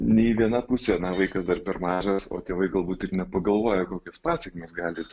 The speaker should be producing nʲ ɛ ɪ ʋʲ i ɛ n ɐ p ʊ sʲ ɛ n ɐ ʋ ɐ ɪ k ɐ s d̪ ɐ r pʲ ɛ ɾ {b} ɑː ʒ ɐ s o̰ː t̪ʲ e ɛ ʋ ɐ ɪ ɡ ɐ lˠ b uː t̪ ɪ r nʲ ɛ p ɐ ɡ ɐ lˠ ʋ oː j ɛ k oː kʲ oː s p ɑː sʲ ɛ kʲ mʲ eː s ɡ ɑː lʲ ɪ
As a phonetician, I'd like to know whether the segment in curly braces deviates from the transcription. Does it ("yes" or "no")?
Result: yes